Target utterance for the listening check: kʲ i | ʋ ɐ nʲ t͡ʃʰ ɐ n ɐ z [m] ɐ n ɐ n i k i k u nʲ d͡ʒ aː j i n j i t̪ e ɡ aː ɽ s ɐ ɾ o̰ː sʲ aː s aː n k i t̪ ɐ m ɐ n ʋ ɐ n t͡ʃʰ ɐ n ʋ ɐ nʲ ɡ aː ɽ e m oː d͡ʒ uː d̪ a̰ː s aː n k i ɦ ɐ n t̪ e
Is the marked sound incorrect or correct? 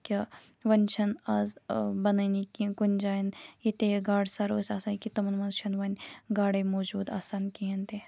incorrect